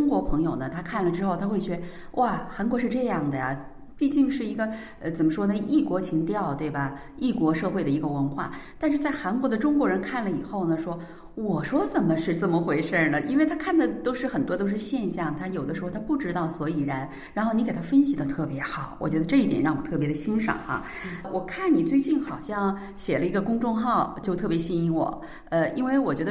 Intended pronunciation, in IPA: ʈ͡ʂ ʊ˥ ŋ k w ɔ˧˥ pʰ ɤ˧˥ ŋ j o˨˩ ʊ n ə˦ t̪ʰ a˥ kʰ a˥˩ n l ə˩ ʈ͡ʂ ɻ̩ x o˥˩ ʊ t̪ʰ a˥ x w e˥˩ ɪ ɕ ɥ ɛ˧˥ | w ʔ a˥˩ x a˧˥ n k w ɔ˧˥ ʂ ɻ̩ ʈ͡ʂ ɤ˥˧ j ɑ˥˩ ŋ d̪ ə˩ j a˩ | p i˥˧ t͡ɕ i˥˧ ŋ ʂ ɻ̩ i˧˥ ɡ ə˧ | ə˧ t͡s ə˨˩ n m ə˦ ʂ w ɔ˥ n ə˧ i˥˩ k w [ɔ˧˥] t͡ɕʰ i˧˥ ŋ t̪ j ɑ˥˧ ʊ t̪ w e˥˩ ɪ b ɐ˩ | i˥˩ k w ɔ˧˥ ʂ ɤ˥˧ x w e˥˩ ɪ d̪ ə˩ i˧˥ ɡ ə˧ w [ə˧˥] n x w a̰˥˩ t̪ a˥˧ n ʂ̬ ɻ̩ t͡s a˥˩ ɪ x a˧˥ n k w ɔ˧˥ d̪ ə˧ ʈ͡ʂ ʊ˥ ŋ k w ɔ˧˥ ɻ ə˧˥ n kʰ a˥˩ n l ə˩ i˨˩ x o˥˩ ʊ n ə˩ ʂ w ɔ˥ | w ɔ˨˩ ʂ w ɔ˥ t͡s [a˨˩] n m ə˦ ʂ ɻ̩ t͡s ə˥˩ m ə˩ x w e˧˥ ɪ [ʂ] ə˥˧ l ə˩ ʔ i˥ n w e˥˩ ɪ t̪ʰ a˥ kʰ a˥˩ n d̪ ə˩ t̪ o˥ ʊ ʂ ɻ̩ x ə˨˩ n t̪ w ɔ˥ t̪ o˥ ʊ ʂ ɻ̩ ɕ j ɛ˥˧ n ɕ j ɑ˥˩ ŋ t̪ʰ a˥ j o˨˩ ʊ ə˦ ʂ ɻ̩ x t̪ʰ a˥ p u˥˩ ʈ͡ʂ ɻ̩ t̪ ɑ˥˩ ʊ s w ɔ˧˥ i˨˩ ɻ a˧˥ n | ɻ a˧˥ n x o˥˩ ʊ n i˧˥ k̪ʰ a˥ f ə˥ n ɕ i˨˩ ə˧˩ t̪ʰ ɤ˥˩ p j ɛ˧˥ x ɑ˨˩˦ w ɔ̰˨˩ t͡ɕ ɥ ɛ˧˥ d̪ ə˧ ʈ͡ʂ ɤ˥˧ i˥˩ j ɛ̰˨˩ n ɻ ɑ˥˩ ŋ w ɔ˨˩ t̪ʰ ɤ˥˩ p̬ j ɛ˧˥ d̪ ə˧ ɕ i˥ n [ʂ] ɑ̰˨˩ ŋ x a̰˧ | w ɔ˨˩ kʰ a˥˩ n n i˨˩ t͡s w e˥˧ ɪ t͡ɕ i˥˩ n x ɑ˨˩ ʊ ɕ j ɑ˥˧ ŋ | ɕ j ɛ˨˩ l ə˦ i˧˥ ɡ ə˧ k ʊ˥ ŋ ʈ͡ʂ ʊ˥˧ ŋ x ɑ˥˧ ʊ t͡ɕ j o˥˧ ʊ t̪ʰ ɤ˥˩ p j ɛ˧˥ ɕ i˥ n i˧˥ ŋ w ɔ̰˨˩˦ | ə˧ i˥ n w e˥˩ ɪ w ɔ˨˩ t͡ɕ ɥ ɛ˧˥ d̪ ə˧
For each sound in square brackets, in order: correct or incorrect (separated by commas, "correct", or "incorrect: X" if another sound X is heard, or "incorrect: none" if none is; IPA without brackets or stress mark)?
correct, correct, incorrect: ə˨˩, correct, correct